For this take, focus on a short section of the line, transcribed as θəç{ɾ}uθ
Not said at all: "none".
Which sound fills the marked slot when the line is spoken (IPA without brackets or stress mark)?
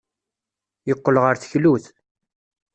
l